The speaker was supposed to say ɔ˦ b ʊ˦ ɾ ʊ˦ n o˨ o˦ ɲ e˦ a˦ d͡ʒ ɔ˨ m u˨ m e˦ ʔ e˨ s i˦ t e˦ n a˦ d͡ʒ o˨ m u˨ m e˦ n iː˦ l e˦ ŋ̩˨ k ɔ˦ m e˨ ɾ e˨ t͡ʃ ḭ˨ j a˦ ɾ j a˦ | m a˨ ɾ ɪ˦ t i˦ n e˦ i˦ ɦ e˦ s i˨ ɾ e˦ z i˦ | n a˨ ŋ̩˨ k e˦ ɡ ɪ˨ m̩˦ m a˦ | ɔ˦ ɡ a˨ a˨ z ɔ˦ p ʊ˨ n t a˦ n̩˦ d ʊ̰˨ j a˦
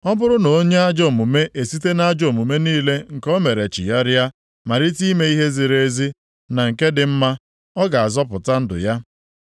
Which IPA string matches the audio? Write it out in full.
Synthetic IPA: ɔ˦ b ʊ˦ ɾ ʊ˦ n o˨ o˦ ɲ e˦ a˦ d͡ʒ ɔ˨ m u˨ m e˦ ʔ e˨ s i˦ t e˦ n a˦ d͡ʒ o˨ m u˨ m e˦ n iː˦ l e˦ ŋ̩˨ k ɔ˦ m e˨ ɾ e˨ t͡ʃ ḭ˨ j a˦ ɾ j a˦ | m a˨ ɾ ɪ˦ t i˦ m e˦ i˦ ɦ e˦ z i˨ ɾ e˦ z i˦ | n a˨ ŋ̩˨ k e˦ d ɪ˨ m̩˦ m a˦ | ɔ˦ ɡ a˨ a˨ z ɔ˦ p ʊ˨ t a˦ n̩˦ d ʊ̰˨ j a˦